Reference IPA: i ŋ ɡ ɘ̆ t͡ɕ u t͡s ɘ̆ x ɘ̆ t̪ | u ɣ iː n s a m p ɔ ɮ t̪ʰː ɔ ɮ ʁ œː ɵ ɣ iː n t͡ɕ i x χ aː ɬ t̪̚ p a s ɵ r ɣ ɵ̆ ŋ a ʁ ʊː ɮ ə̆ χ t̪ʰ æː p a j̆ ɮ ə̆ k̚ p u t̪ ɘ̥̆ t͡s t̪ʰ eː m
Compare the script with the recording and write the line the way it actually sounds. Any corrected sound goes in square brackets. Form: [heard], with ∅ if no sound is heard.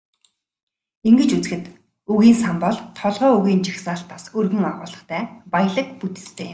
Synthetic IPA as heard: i ŋ ɡ ɘ̆ t͡ɕ u t͡s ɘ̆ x ɘ̆ t̪ | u ɣ iː n s a m p ɔ ɮ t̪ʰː ɔ ɮ ʁ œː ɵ ɣ iː n t͡ɕ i x [s] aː ɬ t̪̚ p a s ɵ r ɣ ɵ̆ ŋ a ʁ ʊː ɮ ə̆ χ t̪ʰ æː p a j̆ ɮ ə̆ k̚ p u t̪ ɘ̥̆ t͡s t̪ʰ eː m

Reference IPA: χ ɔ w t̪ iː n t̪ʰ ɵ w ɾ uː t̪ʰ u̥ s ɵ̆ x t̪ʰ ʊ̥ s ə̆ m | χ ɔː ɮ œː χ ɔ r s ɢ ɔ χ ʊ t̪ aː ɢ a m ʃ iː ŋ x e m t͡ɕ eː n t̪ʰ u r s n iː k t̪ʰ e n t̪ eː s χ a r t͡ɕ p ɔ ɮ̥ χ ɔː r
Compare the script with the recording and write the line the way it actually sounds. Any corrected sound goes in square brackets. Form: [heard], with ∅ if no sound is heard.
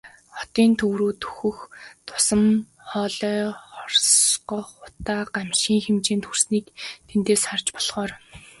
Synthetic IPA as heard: χ ɔ [∅] t̪ iː n t̪ʰ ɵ w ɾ uː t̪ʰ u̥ [x] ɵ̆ x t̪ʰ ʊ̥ s ə̆ m | χ ɔː ɮ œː χ ɔ r s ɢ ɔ χ ʊ t̪ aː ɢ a m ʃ iː ŋ x e m t͡ɕ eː n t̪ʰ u r s n iː k t̪ʰ e n t̪ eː s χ a r t͡ɕ p ɔ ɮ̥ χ ɔː r

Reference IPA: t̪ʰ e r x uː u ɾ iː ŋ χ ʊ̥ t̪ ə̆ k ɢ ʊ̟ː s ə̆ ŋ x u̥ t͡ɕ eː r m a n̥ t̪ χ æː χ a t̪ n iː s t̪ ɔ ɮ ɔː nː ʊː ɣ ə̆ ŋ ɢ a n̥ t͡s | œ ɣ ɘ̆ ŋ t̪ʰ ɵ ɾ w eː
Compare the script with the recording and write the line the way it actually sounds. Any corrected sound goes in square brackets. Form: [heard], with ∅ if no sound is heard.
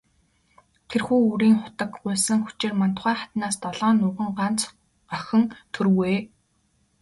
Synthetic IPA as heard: t̪ʰ e r x uː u ɾ iː ŋ χ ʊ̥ t̪ ə̆ k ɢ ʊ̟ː s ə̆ ŋ x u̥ t͡ɕ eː r m a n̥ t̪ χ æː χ a t̪ n [aː] s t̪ ɔ ɮ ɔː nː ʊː [ʁ] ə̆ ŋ ɢ a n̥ t͡s | œ [x] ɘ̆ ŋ t̪ʰ ɵ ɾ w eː

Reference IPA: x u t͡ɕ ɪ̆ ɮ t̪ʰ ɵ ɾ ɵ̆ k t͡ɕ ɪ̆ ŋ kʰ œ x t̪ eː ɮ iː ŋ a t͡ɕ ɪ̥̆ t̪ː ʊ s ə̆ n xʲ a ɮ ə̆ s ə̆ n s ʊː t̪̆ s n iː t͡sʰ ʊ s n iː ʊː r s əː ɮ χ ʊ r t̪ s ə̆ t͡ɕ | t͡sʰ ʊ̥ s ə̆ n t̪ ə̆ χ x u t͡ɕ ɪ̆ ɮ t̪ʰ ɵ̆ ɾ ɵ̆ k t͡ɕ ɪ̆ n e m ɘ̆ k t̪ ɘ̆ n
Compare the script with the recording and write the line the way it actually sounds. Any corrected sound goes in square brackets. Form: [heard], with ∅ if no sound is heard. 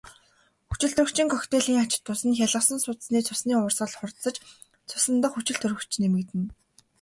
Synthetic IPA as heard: x u t͡ɕ ɪ̆ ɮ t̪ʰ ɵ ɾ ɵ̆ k t͡ɕ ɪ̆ ŋ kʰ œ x t̪ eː ɮ iː ŋ a t͡ɕ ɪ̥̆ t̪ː ʊ s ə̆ n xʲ a ɮ ə̆ s ə̆ n s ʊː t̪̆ s n iː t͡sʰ ʊ s n iː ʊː r s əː ɮ χ ʊ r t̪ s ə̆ t͡ɕ | t͡sʰ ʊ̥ s ə̆ n t̪ ə̆ χ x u t͡ɕ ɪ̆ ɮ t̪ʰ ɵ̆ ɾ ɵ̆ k t͡ɕ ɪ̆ n e m ɘ̆ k t̪ ɘ̆ n

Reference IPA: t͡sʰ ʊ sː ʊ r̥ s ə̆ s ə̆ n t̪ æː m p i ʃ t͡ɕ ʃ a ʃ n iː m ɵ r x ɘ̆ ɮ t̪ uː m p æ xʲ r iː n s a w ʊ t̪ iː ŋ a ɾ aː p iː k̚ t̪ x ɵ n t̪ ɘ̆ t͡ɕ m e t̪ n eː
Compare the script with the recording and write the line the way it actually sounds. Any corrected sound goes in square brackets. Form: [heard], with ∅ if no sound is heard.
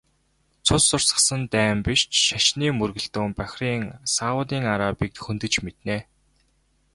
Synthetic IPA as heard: t͡sʰ ʊ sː ʊ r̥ s ə̆ s ə̆ n t̪ æː m p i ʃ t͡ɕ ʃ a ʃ n iː m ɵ r [ɣ] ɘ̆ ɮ t̪ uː m p æ xʲ r iː [ŋ] s a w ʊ t̪ iː ŋ a ɾ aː p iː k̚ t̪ x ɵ n t̪ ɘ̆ t͡ɕ m e t̪ n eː

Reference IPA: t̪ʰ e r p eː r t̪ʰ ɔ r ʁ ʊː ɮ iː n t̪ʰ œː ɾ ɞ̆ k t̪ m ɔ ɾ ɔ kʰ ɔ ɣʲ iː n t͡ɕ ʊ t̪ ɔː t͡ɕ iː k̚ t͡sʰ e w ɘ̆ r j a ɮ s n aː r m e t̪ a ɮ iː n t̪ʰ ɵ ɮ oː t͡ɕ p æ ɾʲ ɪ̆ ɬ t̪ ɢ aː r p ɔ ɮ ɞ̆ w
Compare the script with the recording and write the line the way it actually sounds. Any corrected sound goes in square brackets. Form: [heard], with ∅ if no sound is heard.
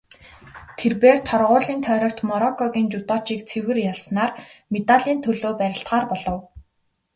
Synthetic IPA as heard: t̪ʰ e r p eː r t̪ʰ ɔ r ʁ ʊː ɮ iː n t̪ʰ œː ɾ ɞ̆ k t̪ m ɔ ɾ ɔ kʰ ɔ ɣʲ iː n t͡ɕ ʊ t̪ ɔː t͡ɕ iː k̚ t͡sʰ e w ɘ̆ r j a ɮ s n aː r m e t̪ a ɮ iː n t̪ʰ ɵ ɮ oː [∅] p æ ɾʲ ɪ̆ ɬ t̪ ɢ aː r p ɔ ɮ ɞ̆ w

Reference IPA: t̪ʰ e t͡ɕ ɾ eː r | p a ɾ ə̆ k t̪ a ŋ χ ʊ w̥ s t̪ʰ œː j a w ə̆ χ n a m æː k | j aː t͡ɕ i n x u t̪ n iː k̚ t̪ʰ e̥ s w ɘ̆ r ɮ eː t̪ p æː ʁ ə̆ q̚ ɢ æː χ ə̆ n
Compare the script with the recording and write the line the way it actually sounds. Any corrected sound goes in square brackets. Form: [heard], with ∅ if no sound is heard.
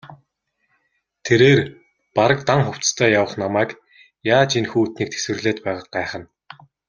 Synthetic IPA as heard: t̪ʰ e [∅] ɾ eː r | p a ɾ ə̆ k t̪ a ŋ χ ʊ w̥ [t͡s] t̪ʰ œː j a w ə̆ χ n a m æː k | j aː t͡ɕ i n x [uː] t̪ n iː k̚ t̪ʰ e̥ s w ɘ̆ r ɮ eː t̪ p æː ʁ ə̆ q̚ ɢ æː χ ə̆ n

